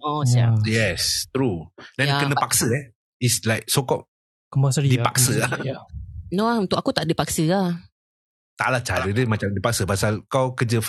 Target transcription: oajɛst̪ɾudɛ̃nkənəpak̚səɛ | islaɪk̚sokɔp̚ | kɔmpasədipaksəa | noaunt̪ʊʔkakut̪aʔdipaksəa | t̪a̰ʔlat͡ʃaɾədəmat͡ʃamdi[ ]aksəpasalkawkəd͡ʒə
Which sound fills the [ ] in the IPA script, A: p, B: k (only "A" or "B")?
A